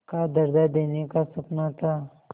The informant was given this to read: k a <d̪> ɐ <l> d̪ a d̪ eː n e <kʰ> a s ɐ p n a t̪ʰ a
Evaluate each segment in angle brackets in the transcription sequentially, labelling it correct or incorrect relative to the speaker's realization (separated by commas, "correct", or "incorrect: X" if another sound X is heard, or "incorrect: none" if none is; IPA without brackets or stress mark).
correct, incorrect: ɾ, incorrect: k